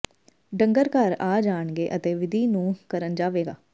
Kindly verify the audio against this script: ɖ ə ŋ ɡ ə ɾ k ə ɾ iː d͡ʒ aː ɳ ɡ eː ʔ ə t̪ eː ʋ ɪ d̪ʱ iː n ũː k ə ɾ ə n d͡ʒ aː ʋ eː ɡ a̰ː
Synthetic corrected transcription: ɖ ə ŋ ɡ ə ɾ k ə ɾ aː d͡ʒ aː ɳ ɡ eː ʔ ə t̪ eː ʋ ɪ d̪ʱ iː n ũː k ə ɾ ə n d͡ʒ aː ʋ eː ɡ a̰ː